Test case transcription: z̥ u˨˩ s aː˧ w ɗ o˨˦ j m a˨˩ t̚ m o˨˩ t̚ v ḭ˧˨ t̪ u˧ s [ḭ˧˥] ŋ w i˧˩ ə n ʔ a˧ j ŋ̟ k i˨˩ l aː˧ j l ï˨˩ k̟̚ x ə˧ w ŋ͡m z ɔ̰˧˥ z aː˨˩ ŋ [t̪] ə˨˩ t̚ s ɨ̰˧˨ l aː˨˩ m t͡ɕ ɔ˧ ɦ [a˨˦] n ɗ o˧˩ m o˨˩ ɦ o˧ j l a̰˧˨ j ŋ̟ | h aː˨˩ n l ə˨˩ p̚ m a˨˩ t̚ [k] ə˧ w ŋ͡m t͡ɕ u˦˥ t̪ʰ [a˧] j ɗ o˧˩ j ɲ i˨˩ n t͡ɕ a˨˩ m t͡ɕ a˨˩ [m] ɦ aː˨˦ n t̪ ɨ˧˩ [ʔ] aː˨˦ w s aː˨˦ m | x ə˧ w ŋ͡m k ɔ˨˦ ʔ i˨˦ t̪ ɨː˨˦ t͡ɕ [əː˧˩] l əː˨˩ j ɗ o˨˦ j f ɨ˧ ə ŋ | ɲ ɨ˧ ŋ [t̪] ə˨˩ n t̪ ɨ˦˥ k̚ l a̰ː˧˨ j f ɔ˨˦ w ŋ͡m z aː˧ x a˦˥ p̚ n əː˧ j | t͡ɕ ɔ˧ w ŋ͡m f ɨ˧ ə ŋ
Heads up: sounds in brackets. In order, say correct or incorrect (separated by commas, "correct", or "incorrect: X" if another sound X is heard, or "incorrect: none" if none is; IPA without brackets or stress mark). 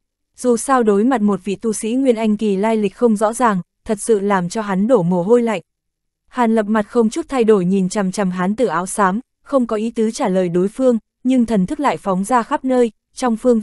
correct, incorrect: t̪ʰ, correct, incorrect: x, correct, correct, correct, incorrect: aː˧˩, incorrect: t̪ʰ